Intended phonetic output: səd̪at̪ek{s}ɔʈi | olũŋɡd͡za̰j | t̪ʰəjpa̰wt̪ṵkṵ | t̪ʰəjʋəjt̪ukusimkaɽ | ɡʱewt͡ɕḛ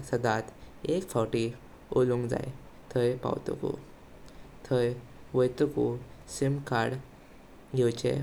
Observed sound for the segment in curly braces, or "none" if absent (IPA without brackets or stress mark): f